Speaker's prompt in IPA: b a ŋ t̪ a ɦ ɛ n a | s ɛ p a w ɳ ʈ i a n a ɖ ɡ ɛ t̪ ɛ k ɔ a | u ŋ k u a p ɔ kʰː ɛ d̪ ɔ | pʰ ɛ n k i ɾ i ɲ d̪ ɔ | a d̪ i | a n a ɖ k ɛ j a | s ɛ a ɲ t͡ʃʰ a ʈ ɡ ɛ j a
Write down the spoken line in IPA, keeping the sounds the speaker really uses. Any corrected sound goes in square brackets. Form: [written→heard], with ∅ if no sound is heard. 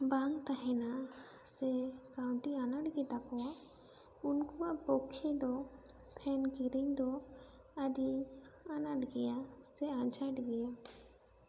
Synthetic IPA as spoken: b a ŋ t̪ a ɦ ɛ n a | s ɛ [p→k] a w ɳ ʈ i a n a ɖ ɡ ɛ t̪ [ɛ→a] k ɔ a | u [ŋ→n] k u a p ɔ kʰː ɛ d̪ ɔ | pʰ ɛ n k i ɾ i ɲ d̪ ɔ | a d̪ i | a n a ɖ [k→ɡ] ɛ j a | s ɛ a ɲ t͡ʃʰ a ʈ ɡ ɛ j a